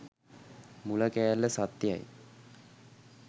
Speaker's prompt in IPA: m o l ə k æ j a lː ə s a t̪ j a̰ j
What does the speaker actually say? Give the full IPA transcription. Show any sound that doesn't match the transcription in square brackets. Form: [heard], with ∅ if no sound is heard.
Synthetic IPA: m [u] l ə k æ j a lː ə s a t̪ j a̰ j

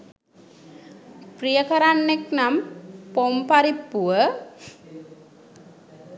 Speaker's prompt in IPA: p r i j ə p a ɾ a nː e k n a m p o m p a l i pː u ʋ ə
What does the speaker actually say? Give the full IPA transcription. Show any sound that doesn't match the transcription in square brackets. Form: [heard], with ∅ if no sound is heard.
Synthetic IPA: p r i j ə [k] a ɾ a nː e k n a m p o m p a [ɾ] i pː u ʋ ə

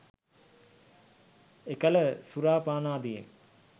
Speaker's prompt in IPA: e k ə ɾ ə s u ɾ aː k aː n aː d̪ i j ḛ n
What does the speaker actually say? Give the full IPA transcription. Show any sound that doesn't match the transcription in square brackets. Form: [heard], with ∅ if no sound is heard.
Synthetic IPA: e k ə [l] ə s u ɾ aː [p] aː n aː d̪ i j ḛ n

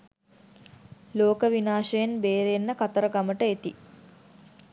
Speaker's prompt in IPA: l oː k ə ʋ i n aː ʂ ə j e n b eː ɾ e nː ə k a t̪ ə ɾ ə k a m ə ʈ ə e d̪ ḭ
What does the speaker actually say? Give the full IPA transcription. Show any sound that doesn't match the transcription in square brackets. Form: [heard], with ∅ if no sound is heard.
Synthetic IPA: l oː k ə ʋ i n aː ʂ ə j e n b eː ɾ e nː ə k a t̪ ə ɾ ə [ɡ] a m ə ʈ ə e [t̪] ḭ

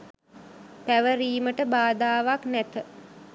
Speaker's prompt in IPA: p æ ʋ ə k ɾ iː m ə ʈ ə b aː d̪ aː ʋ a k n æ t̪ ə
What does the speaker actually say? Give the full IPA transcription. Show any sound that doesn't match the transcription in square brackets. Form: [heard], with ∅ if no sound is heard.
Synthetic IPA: p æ ʋ ə [∅] ɾ iː m ə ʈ ə b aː d̪ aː ʋ a k n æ t̪ ə

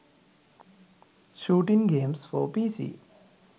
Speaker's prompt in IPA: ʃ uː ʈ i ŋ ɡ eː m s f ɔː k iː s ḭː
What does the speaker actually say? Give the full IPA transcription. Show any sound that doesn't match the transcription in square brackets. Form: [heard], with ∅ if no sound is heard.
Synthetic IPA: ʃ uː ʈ i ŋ ɡ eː m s f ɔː [p] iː s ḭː

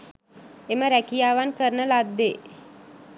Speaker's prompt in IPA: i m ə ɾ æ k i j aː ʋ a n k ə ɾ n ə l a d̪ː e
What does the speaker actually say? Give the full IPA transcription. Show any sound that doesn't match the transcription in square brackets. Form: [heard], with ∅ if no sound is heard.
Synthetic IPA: [e] m ə ɾ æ k i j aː ʋ a n k ə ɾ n ə l a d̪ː e

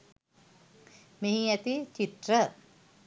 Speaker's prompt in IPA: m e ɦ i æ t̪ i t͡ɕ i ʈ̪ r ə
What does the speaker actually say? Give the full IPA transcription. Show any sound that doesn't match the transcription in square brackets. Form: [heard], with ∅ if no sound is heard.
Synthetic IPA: m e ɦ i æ t̪ i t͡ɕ i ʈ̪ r ə

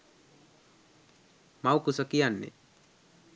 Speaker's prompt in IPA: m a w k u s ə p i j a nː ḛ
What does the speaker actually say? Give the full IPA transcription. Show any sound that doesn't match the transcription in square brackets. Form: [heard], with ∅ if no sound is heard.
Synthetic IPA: m a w k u s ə [k] i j a nː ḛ

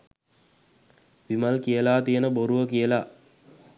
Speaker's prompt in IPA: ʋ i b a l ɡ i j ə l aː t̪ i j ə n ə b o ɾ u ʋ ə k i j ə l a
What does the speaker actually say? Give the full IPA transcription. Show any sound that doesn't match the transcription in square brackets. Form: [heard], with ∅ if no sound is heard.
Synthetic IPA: ʋ i [m] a l [k] i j ə l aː t̪ i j ə n ə b o ɾ u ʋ ə k i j ə l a

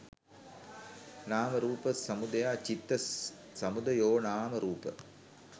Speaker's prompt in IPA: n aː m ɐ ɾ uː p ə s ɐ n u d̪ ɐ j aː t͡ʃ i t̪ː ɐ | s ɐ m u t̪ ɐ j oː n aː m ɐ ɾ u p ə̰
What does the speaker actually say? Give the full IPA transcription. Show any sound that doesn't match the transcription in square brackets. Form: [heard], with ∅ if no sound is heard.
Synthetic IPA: n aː m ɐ ɾ uː p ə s ɐ [m] u d̪ ɐ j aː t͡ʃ i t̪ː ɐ | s ɐ m u [d̪] ɐ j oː n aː m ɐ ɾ [uː] p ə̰

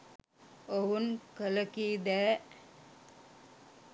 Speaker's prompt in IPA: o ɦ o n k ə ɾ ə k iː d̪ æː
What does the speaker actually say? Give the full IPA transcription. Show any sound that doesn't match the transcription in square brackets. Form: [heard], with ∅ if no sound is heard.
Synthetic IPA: o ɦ [u] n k ə [l] ə k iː d̪ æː

